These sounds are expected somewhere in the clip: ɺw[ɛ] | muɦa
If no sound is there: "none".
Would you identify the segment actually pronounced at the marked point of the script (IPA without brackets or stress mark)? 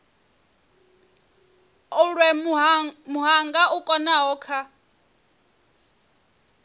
ɛ